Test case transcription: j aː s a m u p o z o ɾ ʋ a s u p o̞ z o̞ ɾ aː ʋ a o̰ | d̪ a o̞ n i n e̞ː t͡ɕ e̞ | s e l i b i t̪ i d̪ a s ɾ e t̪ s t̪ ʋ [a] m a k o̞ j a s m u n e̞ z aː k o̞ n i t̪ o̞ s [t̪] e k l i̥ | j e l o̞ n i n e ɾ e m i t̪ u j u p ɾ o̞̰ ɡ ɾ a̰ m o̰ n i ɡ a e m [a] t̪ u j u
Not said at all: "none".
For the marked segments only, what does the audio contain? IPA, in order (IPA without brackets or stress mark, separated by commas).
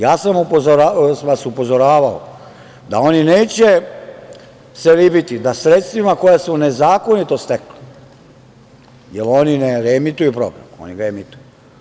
i, t̪, i